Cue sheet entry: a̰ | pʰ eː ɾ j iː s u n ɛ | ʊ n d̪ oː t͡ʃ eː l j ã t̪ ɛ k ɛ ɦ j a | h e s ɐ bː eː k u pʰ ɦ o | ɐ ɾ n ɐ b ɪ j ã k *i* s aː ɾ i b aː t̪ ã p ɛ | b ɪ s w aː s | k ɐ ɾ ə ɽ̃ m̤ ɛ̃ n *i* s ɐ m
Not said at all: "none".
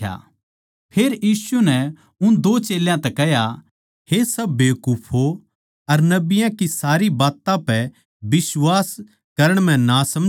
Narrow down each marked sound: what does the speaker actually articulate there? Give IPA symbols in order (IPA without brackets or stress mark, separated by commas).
i, a